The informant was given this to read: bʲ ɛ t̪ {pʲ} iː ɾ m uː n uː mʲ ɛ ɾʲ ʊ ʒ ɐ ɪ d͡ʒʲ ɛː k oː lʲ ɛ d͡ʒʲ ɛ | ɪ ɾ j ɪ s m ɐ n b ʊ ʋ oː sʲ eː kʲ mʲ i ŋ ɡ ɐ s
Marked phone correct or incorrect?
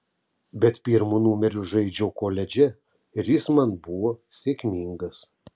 correct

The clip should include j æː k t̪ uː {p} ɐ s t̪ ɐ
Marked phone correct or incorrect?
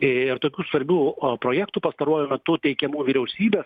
correct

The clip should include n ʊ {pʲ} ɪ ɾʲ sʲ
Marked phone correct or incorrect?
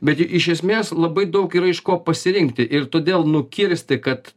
incorrect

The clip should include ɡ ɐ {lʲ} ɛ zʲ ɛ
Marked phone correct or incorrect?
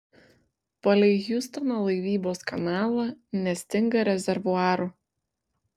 incorrect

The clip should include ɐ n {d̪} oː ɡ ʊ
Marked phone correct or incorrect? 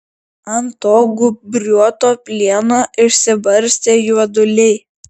incorrect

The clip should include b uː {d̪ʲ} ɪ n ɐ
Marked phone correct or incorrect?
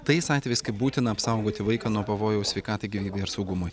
incorrect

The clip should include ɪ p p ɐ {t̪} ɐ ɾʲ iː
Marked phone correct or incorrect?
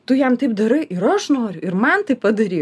incorrect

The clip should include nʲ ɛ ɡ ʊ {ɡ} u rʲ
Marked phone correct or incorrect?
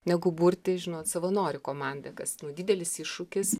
incorrect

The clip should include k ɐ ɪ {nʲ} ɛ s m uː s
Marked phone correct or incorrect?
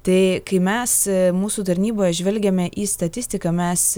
incorrect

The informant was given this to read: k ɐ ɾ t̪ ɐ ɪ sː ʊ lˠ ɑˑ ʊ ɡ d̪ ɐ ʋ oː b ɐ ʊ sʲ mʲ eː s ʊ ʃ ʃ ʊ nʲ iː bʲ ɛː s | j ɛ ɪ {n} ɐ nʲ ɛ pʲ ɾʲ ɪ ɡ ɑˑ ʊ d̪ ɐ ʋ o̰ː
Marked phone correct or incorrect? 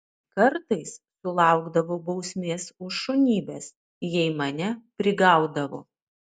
incorrect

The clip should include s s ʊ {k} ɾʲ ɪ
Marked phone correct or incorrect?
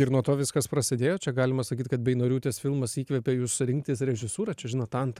incorrect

